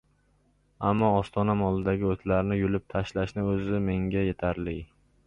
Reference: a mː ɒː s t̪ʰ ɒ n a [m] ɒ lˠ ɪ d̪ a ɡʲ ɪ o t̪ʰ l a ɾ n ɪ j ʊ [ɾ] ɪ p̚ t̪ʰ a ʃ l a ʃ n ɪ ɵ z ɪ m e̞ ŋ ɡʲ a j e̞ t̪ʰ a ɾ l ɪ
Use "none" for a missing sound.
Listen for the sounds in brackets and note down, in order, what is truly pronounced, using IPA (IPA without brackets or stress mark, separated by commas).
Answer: m, l